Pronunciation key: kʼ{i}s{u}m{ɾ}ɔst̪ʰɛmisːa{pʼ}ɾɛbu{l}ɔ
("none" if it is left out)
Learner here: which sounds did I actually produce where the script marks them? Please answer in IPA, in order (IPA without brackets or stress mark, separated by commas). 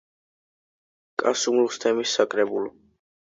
a, u, l, kʼ, l